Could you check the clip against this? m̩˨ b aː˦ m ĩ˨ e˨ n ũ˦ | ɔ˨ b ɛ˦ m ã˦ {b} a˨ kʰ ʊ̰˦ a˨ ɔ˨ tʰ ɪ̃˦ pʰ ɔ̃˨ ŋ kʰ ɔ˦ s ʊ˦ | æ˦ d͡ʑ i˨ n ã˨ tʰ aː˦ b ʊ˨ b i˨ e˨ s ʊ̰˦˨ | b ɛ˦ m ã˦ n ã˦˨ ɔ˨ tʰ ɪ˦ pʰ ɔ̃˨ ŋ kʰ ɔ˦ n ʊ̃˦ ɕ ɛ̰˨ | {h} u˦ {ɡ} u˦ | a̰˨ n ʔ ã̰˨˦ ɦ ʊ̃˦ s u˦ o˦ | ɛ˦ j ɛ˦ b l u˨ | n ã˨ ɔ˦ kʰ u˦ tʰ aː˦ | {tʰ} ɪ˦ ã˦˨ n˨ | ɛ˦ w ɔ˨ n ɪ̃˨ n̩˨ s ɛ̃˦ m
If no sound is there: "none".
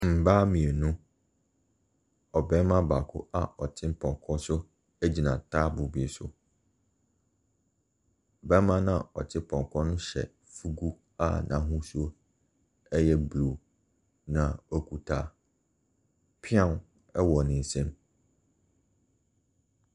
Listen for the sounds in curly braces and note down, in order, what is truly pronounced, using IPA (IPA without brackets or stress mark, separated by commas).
b, f, ɡ, pʰ